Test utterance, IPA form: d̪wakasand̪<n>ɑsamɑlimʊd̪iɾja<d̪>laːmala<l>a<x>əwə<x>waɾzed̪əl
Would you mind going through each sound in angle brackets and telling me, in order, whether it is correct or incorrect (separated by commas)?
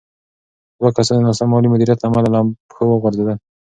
correct, incorrect, correct, correct, incorrect